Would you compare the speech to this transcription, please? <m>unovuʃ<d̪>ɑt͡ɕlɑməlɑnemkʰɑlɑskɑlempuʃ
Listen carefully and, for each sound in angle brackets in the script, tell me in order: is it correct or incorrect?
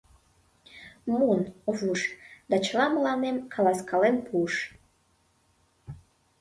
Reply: correct, correct

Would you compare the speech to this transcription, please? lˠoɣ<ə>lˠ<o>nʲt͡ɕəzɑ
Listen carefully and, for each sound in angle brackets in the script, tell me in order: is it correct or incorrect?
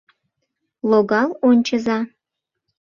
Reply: incorrect: ɑ, correct

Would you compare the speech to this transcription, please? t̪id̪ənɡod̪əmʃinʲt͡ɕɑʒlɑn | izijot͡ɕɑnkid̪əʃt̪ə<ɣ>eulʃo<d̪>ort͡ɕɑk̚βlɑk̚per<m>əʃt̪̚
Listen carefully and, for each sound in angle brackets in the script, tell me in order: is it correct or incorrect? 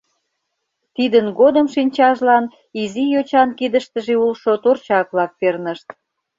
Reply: incorrect: ʒ, incorrect: t̪, incorrect: n

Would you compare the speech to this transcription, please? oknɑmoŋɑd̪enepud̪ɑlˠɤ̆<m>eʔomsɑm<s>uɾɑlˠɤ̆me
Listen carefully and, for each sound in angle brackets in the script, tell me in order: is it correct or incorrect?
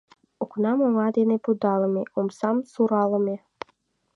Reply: correct, correct

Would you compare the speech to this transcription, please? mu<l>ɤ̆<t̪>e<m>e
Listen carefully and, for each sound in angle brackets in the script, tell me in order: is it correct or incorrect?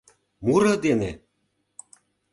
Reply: incorrect: ɾ, incorrect: d̪, incorrect: n

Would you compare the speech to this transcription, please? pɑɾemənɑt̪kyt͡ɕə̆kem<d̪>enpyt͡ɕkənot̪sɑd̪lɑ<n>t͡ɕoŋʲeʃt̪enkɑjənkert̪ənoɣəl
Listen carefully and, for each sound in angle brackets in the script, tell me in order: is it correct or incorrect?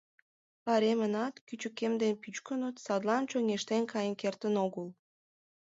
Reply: correct, correct

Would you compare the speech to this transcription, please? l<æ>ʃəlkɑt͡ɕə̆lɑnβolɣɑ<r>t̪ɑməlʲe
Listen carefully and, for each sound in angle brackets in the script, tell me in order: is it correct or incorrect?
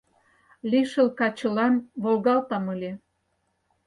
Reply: incorrect: i, incorrect: l

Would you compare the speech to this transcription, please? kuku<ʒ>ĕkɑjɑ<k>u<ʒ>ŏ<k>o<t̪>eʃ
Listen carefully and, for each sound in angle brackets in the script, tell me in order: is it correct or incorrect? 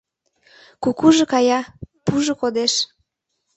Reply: correct, incorrect: p, correct, correct, incorrect: d̪

